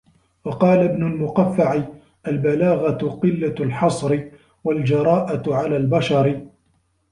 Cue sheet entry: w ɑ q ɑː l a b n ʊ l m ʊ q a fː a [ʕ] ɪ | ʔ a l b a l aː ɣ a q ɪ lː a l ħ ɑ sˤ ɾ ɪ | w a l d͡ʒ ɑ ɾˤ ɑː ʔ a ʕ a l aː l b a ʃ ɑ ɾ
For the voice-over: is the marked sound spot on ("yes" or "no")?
yes